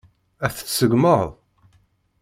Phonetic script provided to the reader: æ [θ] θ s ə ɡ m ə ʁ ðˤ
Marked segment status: correct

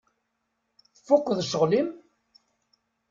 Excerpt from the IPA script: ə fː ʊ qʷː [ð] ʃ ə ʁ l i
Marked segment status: correct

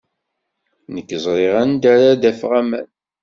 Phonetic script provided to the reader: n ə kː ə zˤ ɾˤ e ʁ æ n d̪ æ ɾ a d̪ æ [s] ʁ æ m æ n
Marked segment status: incorrect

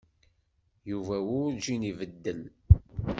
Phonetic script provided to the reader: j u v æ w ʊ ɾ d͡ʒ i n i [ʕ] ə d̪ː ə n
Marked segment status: incorrect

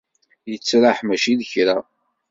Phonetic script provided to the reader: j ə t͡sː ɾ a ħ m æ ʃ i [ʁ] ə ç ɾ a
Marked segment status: incorrect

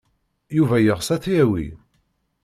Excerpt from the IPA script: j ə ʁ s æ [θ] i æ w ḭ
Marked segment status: correct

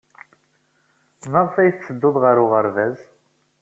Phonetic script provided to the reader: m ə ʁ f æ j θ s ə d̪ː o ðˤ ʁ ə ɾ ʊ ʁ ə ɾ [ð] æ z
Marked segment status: incorrect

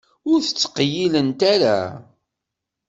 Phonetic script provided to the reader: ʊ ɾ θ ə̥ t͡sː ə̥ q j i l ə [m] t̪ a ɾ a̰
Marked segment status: incorrect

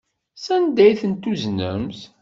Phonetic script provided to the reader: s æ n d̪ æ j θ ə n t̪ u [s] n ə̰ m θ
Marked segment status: incorrect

